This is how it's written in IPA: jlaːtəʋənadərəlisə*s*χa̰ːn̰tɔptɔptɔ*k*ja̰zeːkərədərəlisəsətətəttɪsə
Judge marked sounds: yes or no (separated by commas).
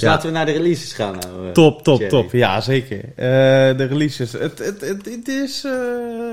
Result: yes, no